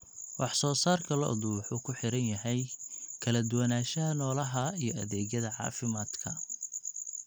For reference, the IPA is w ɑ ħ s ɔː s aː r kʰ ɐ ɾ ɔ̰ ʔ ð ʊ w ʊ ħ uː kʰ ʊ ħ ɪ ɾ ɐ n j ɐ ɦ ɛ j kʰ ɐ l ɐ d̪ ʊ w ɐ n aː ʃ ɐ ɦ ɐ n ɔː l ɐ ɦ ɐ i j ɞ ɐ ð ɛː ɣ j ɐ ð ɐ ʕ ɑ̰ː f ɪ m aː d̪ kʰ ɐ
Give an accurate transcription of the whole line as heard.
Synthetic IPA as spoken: w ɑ ħ s ɔː s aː r kʰ ɐ l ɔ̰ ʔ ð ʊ w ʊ ħ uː kʰ ʊ ħ ɪ ɾ ɐ n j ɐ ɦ ɛ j kʰ ɐ l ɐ d̪ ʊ w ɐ n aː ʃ ɐ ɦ ɐ n ɔː l ɐ ɦ ɐ i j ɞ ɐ ð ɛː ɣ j ɐ ð ɐ ʕ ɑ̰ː f ɪ m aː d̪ kʰ ɐ